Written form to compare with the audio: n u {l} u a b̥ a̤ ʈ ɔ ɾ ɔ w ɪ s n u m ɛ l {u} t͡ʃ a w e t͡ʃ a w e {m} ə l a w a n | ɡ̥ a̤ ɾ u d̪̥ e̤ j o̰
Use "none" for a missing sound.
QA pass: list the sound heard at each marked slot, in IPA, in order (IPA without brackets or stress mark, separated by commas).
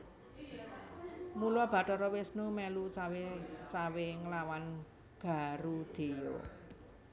l, u, ŋ